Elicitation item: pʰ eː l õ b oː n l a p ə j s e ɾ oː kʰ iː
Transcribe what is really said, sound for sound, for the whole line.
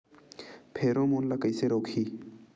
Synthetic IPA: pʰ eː ɾ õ m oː n l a k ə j s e ɾ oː kʰ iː